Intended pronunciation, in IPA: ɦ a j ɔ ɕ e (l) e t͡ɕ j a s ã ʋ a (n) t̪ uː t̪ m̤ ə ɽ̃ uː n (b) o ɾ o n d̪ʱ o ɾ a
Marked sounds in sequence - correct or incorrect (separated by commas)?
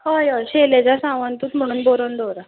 correct, correct, correct